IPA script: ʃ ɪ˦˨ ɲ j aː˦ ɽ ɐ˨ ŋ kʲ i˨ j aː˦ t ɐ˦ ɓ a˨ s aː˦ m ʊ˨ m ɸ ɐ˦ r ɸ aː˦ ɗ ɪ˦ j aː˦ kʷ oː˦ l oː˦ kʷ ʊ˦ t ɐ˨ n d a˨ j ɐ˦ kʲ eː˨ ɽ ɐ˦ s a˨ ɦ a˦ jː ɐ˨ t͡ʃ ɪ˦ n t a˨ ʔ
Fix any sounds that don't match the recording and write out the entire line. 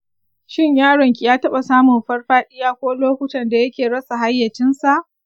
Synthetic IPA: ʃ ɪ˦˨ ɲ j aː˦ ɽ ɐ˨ ŋ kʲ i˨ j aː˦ t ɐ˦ ɓ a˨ s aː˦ m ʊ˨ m ɸ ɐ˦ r ɸ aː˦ ɗ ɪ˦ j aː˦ kʷ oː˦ l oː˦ kʷ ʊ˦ t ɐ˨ n d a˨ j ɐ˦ kʲ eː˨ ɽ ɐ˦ s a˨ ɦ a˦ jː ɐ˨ t͡ʃ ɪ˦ n s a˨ ʔ